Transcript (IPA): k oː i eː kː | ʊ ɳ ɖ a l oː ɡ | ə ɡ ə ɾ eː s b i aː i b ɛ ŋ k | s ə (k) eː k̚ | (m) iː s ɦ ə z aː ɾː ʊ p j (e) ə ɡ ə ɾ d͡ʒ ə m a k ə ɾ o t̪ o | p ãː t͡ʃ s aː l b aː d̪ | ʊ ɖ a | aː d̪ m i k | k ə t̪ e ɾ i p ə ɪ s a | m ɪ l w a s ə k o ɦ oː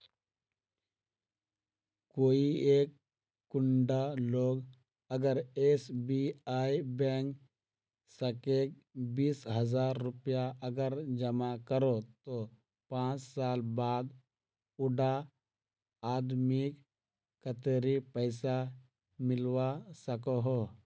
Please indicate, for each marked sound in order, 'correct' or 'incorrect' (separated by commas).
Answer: correct, incorrect, incorrect